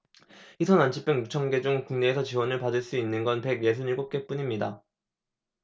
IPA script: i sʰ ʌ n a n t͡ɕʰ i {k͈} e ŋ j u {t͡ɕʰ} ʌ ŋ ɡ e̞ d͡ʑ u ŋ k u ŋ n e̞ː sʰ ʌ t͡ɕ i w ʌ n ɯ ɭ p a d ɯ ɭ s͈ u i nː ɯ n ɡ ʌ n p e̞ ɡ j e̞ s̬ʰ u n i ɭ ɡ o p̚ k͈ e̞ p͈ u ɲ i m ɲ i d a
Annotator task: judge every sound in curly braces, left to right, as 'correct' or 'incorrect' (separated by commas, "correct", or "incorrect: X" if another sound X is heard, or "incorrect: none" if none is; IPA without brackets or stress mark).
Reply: incorrect: p͈, correct